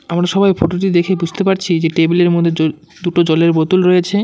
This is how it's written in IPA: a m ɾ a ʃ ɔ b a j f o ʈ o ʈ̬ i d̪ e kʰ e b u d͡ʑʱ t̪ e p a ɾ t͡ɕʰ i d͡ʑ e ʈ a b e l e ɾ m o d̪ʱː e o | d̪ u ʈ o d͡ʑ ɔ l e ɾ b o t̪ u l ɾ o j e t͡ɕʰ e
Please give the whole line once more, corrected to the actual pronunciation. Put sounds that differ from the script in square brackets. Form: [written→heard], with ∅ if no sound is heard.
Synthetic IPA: a m ɾ a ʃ ɔ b a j f o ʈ o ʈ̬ i d̪ e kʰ e b u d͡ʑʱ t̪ e p a ɾ t͡ɕʰ i d͡ʑ e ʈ [a→e] b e l e ɾ m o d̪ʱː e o | d̪ u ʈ o d͡ʑ ɔ l e ɾ b o t̪ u l ɾ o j e t͡ɕʰ e